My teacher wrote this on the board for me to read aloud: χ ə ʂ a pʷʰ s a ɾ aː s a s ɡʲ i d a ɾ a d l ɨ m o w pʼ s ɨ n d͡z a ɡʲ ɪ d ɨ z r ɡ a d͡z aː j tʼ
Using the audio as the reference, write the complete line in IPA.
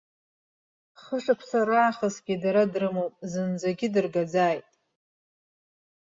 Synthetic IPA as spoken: χ ə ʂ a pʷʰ s a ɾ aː χ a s ɡʲ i d a ɾ a d r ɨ m o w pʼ z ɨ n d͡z a ɡʲ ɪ d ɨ r ɡ a d͡z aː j tʼ